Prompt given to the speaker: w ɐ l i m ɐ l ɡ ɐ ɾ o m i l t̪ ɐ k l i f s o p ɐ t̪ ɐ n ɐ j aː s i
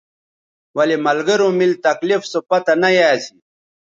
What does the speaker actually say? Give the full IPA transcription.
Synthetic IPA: w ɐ l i m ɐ l ɡ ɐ ɾ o m i l t̪ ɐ k l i f s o p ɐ t̪ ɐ n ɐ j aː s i